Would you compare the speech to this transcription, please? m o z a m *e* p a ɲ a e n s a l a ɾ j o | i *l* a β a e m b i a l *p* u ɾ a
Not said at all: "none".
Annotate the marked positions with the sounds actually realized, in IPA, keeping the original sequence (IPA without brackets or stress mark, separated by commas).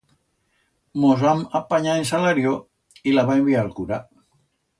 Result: a, l, k